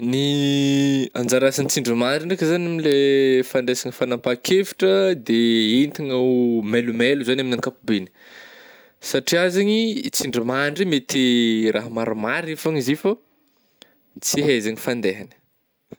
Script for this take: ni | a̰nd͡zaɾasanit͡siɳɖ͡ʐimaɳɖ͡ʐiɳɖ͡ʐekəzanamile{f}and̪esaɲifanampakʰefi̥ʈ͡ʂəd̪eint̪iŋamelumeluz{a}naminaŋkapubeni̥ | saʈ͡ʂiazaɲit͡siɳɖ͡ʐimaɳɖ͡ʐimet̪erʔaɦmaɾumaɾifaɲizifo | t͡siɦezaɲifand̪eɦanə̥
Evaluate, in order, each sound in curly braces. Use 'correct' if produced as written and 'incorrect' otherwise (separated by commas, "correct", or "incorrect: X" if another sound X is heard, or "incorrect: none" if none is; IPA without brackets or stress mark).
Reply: correct, correct